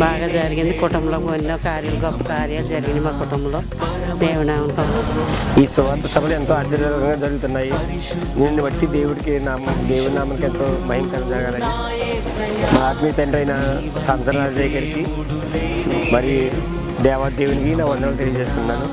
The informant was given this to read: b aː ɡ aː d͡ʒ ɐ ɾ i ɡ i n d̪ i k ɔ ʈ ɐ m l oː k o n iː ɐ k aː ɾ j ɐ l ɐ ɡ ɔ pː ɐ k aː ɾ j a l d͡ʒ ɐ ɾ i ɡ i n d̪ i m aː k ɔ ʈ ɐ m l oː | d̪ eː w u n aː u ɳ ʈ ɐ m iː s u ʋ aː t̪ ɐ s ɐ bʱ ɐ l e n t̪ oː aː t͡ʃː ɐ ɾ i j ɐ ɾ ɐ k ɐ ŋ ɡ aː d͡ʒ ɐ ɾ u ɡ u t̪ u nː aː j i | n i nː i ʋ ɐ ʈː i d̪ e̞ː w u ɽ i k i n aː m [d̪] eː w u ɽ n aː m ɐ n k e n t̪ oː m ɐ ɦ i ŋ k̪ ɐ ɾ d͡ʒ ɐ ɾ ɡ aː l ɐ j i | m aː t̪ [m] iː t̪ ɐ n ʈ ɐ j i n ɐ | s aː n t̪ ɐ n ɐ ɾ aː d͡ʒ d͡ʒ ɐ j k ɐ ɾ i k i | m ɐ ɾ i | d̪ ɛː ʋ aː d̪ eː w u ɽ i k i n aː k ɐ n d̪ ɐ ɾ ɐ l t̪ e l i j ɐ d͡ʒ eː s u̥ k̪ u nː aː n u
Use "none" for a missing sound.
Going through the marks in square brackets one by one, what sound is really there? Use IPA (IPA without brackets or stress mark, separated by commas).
d̪, m